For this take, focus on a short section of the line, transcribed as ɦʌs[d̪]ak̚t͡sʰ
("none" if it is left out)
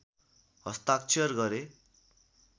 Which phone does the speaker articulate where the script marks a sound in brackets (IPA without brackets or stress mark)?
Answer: t̪